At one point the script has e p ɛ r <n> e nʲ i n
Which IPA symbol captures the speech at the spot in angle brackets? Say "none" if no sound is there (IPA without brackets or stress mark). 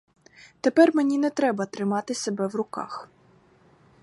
m